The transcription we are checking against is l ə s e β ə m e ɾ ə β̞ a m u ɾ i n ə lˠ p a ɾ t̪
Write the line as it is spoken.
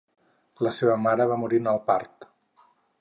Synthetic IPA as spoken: l ə s e β ə m a ɾ ə β̞ a m u ɾ i n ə lˠ p a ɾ t̪